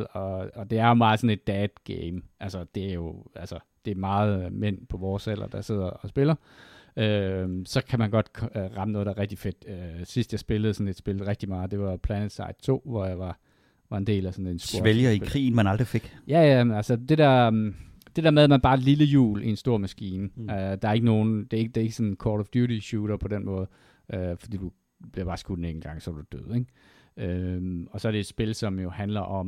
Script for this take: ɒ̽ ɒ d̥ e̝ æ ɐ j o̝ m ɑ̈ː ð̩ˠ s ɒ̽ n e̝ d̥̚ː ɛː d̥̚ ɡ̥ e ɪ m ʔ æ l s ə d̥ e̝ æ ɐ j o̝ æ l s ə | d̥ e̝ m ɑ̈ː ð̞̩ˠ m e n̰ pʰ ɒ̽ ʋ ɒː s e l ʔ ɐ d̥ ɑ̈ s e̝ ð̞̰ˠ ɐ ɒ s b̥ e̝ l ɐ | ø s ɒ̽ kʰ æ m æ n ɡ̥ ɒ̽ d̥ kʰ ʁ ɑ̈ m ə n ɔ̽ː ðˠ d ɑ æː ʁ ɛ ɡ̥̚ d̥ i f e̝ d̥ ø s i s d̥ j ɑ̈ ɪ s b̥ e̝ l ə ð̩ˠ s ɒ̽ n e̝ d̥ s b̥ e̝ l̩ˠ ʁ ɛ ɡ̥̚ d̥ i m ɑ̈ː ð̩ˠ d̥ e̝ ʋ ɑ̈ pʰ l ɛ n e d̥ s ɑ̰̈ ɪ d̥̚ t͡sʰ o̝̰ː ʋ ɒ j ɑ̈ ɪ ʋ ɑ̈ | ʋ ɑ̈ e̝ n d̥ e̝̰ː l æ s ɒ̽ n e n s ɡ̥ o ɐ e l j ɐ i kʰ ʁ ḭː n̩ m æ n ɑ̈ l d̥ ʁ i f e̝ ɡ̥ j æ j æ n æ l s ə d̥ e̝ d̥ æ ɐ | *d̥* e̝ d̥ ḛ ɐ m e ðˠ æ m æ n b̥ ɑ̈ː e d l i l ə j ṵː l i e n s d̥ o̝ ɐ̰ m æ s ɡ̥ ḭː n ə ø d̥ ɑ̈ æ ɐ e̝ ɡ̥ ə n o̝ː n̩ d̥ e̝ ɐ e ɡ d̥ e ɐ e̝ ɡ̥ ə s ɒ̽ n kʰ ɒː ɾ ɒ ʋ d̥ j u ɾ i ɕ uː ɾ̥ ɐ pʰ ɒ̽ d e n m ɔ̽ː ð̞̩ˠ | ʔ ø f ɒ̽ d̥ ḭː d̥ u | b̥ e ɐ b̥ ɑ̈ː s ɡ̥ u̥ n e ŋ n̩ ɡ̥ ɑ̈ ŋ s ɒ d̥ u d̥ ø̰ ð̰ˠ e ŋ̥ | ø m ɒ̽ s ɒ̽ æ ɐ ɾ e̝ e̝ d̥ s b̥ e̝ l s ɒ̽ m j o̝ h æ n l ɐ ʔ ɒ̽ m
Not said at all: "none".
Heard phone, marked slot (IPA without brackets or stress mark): d̥